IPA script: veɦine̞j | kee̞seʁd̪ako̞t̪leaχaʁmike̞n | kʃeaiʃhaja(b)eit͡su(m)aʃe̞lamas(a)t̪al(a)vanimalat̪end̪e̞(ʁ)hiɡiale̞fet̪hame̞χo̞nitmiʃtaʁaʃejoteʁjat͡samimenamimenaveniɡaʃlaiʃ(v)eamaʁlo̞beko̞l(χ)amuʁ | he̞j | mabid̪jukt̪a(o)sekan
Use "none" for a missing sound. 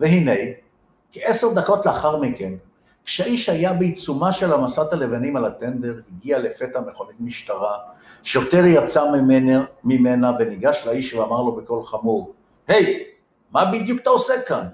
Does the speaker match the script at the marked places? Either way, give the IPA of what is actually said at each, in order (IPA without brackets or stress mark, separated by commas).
b, m, a, e, ʁ, v, χ, o